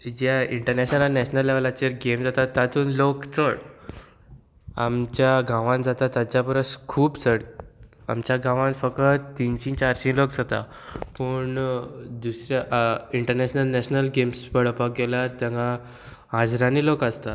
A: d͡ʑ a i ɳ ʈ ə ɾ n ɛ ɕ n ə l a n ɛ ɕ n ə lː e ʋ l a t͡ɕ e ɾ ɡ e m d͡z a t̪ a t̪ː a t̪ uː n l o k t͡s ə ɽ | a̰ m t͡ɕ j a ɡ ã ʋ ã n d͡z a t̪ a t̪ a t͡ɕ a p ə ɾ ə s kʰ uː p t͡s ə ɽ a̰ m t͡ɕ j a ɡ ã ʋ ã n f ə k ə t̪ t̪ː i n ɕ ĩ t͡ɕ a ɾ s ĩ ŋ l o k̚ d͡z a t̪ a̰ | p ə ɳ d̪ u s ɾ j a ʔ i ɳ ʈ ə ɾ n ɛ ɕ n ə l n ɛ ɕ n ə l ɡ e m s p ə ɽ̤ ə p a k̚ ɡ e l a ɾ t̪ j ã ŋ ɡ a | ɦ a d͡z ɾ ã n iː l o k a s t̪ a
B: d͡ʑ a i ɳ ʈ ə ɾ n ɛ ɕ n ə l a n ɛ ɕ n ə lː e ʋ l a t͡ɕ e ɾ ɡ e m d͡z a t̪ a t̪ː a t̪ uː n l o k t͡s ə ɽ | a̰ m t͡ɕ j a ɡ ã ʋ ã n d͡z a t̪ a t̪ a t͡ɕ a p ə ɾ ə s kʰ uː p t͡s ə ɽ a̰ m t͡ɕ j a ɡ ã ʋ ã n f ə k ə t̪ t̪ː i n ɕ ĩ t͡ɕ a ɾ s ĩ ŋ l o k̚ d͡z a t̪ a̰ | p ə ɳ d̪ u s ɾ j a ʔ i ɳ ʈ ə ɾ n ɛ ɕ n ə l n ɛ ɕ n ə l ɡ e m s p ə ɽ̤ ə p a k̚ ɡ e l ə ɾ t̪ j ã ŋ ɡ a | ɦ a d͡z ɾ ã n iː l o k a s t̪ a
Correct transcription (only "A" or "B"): A